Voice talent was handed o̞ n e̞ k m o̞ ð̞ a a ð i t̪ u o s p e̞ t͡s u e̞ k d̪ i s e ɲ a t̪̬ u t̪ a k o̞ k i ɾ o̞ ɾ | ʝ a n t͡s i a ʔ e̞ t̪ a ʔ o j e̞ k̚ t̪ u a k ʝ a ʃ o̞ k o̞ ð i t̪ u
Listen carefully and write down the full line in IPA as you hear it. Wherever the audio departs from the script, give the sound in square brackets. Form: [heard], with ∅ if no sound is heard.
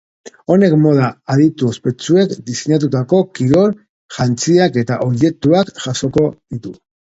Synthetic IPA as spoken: o̞ n e̞ k m o̞ ð̞ a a ð i t̪ u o s p e̞ t͡s u e̞ k d̪ i s e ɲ a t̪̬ u t̪ a k o̞ k i ɾ o̞ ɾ | ʝ a n t͡s i a [k] e̞ t̪ a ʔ o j e̞ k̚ t̪ u a k ʝ a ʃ o̞ k o̞ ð i t̪ u